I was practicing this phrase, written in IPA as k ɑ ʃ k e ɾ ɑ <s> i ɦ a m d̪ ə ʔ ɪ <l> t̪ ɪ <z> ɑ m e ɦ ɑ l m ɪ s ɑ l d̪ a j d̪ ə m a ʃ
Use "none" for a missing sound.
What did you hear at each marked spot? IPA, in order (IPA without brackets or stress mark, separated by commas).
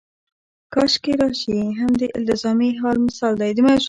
ʃ, l, z